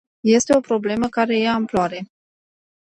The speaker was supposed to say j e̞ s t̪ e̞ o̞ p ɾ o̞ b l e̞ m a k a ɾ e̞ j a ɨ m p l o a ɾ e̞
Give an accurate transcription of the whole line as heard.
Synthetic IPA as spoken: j e̞ s t̪ e̞ o̞ p ɾ o̞ b l e̞ m ə k a ɾ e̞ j a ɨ m p l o a ɾ e̞